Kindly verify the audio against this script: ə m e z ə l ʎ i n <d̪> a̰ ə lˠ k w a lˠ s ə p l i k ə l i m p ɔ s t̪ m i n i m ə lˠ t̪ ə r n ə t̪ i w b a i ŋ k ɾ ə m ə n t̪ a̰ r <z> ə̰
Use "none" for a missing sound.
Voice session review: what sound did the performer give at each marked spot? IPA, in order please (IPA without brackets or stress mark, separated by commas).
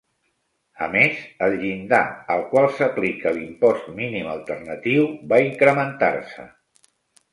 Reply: d̪, s